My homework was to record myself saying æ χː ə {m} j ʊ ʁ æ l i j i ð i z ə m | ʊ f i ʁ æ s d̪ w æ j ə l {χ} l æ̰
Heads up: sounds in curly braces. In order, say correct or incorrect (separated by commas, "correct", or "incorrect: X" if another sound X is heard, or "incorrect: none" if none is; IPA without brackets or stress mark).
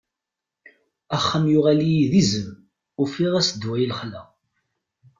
correct, correct